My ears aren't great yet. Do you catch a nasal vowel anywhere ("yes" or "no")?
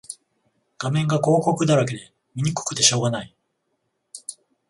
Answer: yes